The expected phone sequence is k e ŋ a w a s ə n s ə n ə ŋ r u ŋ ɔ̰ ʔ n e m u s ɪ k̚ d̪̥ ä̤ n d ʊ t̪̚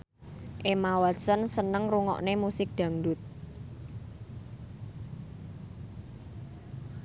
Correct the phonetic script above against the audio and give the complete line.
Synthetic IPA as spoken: ʔ e m a w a s ə n s ə n ə ŋ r u ŋ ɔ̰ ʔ n e m u s ɪ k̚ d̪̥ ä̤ ŋ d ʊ t̪̚